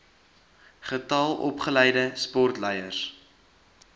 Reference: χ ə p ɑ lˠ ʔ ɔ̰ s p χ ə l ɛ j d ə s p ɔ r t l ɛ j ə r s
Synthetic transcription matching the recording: χ ə t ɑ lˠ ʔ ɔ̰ p χ ə l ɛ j d ə s p ɔ r t l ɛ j ə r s